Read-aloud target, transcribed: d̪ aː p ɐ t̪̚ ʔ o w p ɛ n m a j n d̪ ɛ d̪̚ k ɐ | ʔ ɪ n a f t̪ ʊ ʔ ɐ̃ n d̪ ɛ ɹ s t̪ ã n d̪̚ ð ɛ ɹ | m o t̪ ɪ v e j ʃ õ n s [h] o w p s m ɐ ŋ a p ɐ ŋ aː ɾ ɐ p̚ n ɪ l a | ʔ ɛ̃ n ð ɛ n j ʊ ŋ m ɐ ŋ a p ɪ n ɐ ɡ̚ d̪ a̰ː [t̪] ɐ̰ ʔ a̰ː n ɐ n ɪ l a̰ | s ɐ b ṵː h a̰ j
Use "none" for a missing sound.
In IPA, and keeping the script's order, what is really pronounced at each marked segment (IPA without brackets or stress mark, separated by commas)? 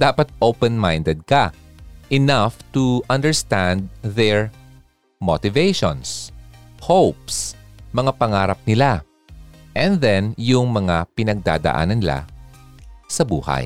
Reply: h, d̪